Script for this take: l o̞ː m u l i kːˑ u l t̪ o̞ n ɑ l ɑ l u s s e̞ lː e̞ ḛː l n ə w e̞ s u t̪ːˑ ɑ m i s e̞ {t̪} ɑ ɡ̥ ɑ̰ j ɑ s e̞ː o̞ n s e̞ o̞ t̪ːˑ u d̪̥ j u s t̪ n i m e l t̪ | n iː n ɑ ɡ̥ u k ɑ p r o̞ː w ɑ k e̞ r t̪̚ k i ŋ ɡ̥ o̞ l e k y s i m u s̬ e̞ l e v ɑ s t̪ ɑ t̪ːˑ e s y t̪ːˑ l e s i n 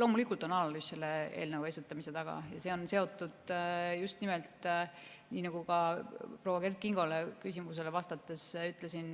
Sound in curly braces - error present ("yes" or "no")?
no